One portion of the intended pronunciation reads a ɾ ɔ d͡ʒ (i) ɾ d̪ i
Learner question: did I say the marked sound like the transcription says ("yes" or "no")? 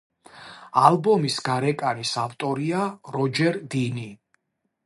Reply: no